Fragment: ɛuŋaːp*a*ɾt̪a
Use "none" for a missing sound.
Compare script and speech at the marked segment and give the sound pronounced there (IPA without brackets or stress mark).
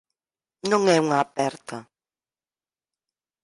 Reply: ɛ